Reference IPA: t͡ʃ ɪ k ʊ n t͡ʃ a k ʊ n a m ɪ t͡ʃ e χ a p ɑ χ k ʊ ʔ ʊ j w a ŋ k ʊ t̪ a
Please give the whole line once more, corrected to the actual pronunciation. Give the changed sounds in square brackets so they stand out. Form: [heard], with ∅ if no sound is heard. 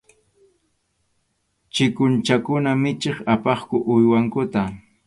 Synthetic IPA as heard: t͡ʃ ɪ k ʊ n t͡ʃ a k ʊ n a m ɪ t͡ʃ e χ a p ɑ χ k ʊ ʔ ʊ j w a ŋ k ʊ t̪ a